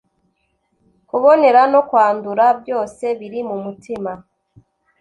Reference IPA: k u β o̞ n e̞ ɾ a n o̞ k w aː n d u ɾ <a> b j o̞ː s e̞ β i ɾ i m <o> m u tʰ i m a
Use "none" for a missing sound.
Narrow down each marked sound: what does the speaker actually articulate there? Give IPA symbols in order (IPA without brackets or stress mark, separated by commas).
a, u